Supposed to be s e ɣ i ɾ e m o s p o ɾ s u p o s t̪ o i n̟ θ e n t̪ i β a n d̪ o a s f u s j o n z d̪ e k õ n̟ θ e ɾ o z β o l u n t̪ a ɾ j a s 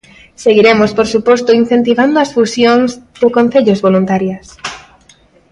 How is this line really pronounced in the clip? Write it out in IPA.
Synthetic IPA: s e ɣ i ɾ e m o s p o ɾ s u p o s t̪ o i n̟ θ e n t̪ i β a n d̪ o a s f u s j o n z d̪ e k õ n̟ θ e ʎ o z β o l u n t̪ a ɾ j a s

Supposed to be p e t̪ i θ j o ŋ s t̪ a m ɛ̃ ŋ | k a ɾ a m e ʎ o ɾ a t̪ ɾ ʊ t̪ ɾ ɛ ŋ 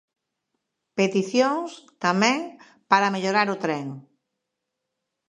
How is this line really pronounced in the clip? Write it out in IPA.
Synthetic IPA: p e t̪ i θ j o ŋ s t̪ a m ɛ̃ ŋ | p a ɾ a m e ʎ o ɾ a ɾ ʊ t̪ ɾ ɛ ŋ

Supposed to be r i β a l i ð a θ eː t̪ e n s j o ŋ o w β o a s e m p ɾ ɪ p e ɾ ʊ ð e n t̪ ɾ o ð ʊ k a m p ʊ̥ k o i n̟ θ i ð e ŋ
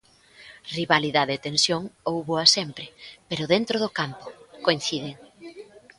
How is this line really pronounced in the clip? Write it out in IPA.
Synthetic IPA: r i β a l i ð a ð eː t̪ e n s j o ŋ o w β o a s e m p ɾ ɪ p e ɾ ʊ ð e n t̪ ɾ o ð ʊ k a m p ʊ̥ k o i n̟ θ i ð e ŋ

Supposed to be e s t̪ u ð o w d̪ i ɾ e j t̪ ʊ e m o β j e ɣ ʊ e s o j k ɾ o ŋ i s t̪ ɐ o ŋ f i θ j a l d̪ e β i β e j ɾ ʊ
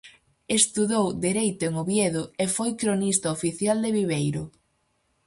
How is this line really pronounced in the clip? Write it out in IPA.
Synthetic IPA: e s t̪ u ð o w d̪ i ɾ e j t̪ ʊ e ŋ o β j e ð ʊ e f o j k ɾ o n i s t̪ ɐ o f i θ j a l d̪ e β i β e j ɾ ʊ

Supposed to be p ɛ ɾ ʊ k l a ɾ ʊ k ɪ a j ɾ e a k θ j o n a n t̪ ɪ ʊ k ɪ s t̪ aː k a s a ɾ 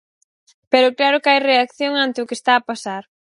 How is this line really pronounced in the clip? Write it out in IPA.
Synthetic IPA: p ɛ ɾ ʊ k l a ɾ ʊ k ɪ a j r e a k θ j o ŋ a n t̪ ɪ ʊ k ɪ s t̪ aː p a s a ɾ

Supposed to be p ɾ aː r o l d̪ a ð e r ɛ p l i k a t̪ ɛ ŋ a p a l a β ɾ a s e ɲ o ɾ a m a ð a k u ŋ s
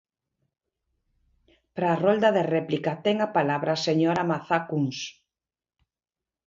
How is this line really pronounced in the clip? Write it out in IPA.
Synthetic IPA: p ɾ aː r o l d̪ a ð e r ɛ p l i k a t̪ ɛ ŋ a p a l a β ɾ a s e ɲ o ɾ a m a θ a k u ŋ s

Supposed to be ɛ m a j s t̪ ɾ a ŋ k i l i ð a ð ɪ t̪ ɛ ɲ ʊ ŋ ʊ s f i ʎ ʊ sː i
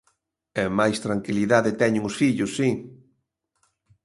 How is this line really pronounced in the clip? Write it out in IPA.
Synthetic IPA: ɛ m a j s t̪ ɾ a ŋ k i l i ð a ð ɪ t̪ ɛ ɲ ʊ ŋ ʊ s f i ʎ ʊ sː i

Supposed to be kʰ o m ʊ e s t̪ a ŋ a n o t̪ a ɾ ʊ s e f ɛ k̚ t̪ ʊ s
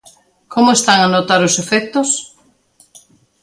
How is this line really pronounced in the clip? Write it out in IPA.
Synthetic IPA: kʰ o m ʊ e s t̪ a ŋ a n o t̪ a ɾ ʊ s e f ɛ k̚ t̪ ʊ s

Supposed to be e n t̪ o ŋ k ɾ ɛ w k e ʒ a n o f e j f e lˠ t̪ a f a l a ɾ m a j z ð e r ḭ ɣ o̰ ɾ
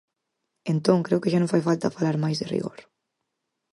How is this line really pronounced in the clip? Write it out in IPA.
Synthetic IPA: e n t̪ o ŋ k ɾ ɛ w k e ʒ a n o f a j f a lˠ t̪ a f a l a ɾ m a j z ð e r ḭ ɣ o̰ ɾ

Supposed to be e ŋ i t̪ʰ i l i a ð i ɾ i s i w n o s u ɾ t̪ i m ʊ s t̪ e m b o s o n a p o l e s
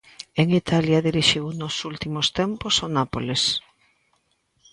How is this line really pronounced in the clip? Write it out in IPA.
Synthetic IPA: e ŋ i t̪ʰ a l j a ð i ɾ i ʃ i w n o s u l t̪ i m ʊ s t̪ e m p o s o n a p o l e s

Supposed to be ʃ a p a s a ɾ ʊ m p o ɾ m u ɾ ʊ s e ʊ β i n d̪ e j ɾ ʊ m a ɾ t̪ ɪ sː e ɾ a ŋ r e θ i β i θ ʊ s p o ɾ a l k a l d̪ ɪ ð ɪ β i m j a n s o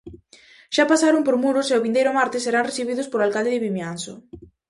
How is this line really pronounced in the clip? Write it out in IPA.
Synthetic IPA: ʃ a p a s a ɾ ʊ m p o ɾ m u ɾ ʊ s e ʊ β i n d̪ e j ɾ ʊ m a ɾ t̪ ɪ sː e ɾ a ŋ r e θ i β i ð ʊ s p o ɾ a l k a l d̪ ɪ ð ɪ β i m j a n s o

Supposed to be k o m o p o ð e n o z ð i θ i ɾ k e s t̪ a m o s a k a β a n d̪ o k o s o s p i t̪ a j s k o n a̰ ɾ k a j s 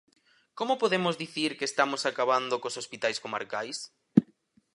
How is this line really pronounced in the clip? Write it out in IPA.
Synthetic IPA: k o m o p o ð e m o z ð i θ i ɾ k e s t̪ a m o s a k a β a n d̪ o k o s o s p i t̪ a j s k o m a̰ ɾ k a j s

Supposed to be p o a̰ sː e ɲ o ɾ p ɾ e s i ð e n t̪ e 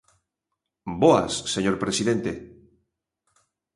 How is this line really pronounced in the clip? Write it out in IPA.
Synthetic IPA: b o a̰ sː e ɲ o ɾ p ɾ e s i ð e n t̪ e

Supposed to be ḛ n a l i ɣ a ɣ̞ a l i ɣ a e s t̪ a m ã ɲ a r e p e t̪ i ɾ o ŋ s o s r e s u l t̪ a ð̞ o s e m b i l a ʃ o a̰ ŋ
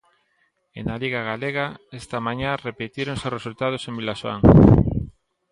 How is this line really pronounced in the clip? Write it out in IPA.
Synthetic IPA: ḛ n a l i ɣ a ɣ̞ a l e ɣ a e s t̪ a m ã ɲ a r e p e t̪ i ɾ o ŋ s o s r e s u l t̪ a ð̞ o s e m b i l a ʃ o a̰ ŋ

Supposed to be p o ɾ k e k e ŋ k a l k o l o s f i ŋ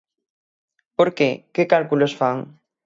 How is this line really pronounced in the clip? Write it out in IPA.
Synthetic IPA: p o ɾ k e k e k a l k u l o s f a ŋ

